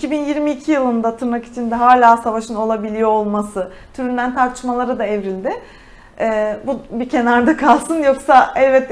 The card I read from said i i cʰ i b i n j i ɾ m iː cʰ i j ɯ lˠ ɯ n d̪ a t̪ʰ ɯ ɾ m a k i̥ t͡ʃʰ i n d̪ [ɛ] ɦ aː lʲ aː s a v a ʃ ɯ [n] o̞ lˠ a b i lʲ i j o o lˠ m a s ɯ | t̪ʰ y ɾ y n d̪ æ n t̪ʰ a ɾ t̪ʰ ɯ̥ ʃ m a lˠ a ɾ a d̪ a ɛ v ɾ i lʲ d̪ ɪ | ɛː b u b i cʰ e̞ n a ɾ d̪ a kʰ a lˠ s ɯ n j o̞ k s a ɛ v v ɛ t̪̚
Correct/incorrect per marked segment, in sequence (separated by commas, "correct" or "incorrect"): correct, correct